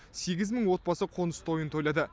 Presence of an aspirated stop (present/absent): present